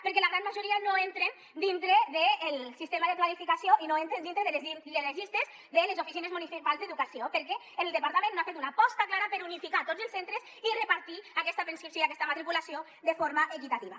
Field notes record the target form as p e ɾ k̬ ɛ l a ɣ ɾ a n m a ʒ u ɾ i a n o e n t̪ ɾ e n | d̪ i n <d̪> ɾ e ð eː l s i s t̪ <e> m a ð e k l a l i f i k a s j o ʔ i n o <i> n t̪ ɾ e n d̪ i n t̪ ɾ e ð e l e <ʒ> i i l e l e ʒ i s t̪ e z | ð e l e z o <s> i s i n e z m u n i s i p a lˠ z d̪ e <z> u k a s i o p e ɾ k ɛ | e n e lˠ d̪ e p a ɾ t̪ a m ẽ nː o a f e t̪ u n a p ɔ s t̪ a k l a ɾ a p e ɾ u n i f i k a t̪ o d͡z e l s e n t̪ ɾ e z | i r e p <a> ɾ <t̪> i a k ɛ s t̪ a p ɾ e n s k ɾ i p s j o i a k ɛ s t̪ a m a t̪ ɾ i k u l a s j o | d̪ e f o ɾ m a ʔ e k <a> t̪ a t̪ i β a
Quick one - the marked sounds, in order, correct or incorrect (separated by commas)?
incorrect, correct, incorrect, incorrect, incorrect, incorrect, correct, correct, incorrect